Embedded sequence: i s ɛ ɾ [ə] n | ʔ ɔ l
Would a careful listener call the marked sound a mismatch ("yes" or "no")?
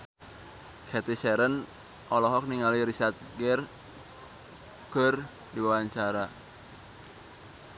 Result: no